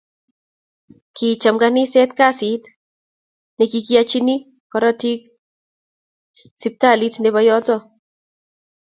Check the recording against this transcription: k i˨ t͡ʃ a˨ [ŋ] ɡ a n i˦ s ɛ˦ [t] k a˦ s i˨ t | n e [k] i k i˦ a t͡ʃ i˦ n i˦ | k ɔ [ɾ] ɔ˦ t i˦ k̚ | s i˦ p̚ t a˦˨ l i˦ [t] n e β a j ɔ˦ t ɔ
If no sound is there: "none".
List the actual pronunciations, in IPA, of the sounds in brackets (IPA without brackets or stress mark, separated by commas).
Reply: m, t, k, ɾ, t